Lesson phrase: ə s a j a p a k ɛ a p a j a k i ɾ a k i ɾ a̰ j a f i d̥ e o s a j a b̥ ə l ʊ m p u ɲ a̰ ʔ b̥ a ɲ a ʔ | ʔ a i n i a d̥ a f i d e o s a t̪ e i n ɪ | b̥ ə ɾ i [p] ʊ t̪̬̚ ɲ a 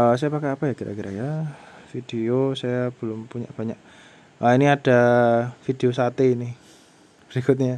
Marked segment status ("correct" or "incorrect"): incorrect